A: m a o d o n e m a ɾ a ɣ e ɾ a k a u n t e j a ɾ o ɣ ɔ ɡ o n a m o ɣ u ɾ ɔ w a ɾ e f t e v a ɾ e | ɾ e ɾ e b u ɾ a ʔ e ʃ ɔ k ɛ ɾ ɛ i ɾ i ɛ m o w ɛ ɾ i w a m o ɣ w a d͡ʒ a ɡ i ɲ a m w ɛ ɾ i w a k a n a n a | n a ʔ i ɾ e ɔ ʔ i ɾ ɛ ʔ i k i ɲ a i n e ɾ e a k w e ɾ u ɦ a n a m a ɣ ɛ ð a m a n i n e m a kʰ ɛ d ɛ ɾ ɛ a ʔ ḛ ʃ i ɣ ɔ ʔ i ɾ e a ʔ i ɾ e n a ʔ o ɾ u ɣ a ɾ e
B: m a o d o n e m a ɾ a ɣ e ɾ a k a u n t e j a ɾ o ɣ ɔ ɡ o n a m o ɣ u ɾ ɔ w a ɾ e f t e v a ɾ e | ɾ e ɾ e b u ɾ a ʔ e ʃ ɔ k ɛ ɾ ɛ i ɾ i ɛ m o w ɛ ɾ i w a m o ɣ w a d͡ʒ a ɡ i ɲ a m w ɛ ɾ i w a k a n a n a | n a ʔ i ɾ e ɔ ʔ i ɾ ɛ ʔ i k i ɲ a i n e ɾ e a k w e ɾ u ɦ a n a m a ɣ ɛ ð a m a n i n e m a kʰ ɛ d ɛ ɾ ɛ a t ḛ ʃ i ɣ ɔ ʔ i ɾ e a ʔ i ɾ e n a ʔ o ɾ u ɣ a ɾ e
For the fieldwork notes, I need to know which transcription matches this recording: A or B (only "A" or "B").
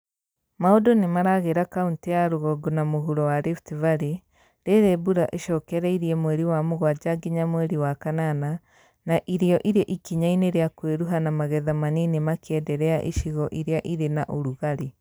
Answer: A